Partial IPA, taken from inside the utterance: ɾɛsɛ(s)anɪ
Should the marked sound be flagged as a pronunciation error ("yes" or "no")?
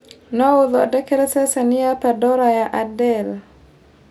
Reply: no